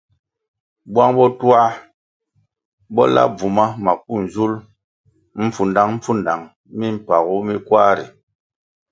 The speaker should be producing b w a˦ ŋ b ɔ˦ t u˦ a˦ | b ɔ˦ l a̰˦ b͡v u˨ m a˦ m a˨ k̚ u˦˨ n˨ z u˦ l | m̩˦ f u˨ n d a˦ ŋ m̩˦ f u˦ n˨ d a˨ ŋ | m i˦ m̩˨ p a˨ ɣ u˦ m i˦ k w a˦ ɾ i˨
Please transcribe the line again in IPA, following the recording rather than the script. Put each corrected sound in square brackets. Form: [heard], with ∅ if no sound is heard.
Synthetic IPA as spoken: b w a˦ ŋ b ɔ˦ t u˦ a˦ | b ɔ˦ l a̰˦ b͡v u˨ m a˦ m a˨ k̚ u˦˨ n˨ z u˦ l | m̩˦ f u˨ n d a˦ ŋ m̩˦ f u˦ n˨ d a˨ ŋ | m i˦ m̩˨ p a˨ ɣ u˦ m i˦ k w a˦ ɾ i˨